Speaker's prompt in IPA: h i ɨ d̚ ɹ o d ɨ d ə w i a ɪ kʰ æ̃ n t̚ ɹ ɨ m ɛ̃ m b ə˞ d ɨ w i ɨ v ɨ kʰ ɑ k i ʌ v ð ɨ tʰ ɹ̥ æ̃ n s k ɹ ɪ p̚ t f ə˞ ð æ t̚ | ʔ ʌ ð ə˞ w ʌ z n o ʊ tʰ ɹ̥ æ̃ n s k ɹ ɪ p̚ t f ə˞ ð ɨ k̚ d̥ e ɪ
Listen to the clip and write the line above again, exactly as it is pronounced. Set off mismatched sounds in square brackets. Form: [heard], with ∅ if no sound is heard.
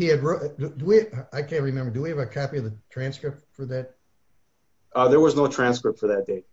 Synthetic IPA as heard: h i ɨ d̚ ɹ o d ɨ d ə w i a ɪ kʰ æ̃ n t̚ ɹ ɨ m ɛ̃ m b ə˞ d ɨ w i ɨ v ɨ kʰ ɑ [p] i ʌ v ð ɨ tʰ ɹ̥ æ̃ n s k ɹ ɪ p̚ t f ə˞ ð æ t̚ | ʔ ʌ ð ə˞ w ʌ z n o ʊ tʰ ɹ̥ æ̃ n s k ɹ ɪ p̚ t f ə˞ ð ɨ [t̚] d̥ e ɪ